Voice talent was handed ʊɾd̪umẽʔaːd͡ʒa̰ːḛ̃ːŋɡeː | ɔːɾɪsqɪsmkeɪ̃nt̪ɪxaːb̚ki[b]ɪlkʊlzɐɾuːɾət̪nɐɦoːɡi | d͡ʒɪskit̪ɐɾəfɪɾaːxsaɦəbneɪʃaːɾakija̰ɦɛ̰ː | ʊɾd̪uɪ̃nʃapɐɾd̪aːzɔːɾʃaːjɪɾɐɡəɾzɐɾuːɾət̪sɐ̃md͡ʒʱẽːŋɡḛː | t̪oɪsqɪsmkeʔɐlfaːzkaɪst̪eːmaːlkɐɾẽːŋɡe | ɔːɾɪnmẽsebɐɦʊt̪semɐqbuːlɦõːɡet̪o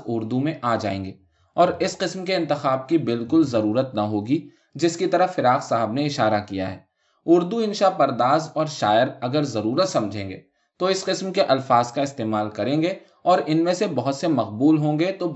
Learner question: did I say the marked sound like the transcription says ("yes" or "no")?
yes